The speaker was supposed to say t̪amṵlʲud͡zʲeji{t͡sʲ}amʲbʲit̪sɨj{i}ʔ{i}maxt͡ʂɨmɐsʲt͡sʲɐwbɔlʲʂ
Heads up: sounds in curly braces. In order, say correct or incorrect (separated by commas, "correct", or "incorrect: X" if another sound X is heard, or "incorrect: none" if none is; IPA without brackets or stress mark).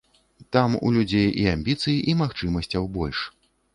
incorrect: none, correct, correct